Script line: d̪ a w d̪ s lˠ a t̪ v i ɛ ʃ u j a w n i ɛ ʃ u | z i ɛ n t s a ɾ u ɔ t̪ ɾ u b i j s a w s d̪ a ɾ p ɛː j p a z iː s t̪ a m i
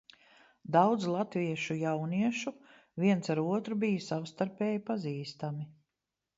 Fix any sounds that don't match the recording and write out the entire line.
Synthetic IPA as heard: d̪ a w d̪ z lˠ a t̪ v i ɛ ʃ u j a w n i ɛ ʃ u | v i ɛ n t s a ɾ u ɔ t̪ ɾ u b i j s a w s t̪ a ɾ p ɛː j p a z iː s t̪ a m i